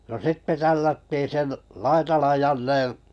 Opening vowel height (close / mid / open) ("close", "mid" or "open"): mid